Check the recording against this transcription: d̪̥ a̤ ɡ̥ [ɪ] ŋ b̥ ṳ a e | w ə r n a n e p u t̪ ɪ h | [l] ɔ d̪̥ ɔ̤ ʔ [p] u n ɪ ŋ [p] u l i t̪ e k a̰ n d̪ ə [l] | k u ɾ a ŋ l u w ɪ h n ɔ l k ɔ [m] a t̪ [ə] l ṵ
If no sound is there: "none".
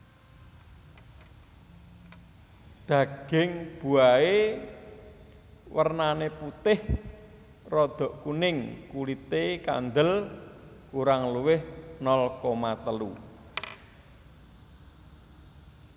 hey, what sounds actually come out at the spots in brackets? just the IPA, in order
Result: ɪ, r, k, k, l, m, ə

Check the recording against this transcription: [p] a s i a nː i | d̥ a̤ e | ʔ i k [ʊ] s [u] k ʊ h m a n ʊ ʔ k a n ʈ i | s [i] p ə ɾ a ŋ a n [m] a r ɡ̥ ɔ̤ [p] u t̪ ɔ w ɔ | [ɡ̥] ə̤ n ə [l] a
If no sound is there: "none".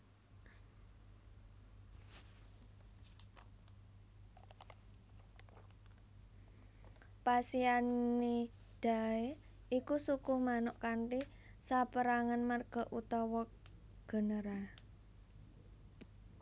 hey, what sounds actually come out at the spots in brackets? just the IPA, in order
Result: p, u, u, a, m, ʔ, ɡ̥, ɾ

